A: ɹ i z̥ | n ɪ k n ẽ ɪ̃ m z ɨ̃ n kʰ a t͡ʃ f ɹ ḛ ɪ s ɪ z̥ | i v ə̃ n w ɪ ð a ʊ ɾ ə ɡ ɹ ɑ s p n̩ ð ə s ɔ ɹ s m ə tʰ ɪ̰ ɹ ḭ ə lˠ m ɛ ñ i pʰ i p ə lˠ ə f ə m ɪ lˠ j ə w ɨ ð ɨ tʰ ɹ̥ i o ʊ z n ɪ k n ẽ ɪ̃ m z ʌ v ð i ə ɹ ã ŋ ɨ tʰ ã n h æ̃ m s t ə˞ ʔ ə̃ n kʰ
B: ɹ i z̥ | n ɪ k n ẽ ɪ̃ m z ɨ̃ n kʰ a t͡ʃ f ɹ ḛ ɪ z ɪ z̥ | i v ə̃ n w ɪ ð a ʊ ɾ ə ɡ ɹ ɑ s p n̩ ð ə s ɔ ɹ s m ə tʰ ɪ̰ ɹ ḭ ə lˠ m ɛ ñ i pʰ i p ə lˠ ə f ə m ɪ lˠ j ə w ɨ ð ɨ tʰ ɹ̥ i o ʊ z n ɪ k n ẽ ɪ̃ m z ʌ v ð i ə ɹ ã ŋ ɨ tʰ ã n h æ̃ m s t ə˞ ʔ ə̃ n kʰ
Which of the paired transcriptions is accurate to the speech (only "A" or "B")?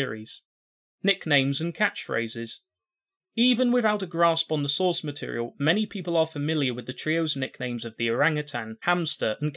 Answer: B